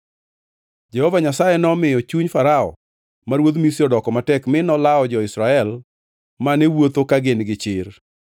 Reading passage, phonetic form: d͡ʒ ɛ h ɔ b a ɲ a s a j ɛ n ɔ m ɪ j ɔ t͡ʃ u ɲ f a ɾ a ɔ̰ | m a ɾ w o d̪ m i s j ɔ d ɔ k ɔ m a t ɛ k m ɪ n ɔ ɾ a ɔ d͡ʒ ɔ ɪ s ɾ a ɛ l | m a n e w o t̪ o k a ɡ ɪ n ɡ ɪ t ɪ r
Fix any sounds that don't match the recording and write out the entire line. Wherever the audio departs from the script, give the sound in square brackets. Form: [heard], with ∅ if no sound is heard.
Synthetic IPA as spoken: d͡ʒ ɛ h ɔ [v] a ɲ a s a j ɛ n ɔ m ɪ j ɔ t͡ʃ u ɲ f a ɾ a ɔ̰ | m a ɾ w o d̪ m i s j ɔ d ɔ k ɔ m a t ɛ k m ɪ n ɔ [l] a ɔ d͡ʒ ɔ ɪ s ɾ a ɛ l | m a n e w o t̪ o k a ɡ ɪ n ɡ ɪ [t͡ʃ] ɪ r